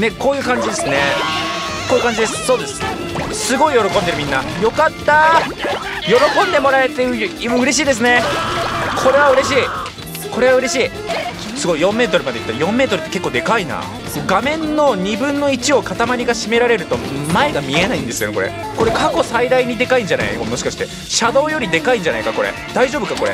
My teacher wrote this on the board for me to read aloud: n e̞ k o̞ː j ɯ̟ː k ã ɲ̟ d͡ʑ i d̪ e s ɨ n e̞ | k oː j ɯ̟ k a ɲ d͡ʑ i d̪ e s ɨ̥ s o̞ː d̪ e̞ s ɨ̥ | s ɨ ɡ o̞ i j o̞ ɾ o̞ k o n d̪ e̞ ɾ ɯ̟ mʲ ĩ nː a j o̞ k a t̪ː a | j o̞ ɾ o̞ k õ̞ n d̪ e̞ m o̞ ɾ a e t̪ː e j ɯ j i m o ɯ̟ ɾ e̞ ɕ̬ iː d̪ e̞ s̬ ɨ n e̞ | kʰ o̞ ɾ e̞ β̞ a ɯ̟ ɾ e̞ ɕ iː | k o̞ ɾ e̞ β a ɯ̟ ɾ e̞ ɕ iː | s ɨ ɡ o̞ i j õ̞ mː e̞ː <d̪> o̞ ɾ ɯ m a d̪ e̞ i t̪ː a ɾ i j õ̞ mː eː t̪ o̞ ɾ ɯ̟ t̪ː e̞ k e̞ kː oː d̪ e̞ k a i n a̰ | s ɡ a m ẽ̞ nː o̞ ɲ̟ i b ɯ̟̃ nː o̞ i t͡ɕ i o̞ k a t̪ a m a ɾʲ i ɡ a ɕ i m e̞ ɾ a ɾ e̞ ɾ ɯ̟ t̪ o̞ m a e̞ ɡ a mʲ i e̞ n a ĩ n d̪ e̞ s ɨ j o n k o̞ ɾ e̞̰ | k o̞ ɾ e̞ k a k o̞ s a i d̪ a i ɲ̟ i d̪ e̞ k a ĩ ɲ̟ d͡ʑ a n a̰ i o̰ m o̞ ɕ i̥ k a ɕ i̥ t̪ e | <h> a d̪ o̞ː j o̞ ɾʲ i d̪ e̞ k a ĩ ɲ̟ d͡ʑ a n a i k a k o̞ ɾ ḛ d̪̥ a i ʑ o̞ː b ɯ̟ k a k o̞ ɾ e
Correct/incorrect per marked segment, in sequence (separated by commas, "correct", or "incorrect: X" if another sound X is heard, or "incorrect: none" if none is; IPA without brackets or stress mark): incorrect: t̪, incorrect: ɕ